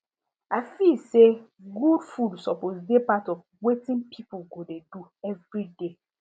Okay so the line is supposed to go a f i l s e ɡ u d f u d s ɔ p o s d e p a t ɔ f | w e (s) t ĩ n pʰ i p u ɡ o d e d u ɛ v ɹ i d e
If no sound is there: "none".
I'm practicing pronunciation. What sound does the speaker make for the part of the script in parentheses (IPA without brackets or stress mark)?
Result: none